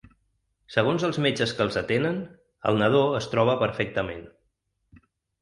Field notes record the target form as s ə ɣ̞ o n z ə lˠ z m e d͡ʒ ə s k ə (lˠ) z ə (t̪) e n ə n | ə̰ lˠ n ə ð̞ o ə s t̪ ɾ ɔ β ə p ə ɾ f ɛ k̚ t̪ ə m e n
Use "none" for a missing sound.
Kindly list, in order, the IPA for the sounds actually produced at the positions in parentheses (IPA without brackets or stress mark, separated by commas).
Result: lˠ, t̪